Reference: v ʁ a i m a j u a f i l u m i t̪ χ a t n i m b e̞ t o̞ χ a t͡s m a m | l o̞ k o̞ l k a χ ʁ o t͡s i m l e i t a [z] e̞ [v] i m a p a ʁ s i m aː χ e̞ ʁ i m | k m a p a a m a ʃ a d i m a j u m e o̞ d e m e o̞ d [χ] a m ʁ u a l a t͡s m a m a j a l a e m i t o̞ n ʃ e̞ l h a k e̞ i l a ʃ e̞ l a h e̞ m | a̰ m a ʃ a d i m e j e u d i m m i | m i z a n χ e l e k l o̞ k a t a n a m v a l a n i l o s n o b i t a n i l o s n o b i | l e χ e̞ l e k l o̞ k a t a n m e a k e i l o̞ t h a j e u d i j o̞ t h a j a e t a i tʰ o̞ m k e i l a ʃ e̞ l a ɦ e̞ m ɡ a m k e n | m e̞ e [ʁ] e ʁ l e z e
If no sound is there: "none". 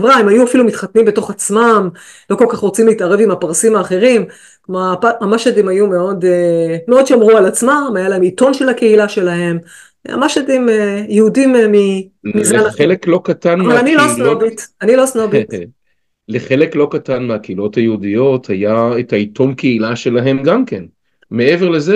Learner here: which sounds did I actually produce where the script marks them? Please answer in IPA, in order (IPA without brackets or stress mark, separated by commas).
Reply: ʁ, v, ʃ, v